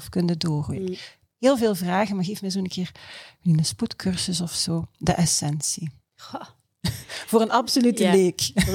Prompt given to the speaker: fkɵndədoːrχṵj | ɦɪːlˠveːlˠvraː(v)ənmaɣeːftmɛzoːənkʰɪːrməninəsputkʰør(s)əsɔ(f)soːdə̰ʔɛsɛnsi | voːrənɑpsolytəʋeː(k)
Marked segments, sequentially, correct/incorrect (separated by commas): incorrect, correct, correct, correct